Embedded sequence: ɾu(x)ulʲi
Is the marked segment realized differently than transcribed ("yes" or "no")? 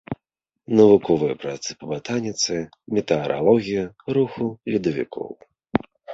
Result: no